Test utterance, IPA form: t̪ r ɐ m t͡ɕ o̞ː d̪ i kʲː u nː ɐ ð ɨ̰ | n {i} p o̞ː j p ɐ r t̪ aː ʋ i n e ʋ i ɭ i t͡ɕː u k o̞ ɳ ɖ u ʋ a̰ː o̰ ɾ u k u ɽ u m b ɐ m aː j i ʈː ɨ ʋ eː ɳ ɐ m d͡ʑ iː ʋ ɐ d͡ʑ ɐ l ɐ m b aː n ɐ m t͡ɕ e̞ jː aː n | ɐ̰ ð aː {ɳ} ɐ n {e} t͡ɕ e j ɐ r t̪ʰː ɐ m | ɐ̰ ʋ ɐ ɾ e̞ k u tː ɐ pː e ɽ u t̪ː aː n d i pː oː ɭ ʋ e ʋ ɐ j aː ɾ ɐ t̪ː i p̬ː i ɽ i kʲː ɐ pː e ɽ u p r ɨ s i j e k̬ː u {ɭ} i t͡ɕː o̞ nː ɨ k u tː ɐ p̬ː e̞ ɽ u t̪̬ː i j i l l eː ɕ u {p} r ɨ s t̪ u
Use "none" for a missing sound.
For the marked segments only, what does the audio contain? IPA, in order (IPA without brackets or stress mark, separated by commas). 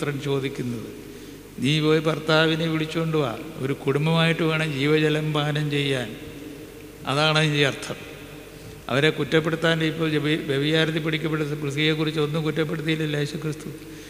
iː, ɳ, i, r, k